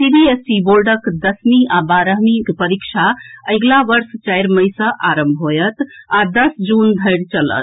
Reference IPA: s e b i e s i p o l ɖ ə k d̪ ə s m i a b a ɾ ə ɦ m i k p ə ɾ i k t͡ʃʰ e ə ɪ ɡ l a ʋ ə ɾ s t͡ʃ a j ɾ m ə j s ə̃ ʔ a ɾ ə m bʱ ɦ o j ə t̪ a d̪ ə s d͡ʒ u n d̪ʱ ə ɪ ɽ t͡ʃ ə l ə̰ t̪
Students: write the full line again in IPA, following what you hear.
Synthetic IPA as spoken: s i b i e s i b o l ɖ ə k d̪ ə s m i a b a ɾ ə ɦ m i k p ə ɾ i k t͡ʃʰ a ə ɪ ɡ l a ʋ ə ɾ s t͡ʃ a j ɾ m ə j s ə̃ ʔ a ɾ ə m bʱ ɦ o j ə t̪ a d̪ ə s d͡ʒ u n d̪ʱ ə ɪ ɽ t͡ʃ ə l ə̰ t̪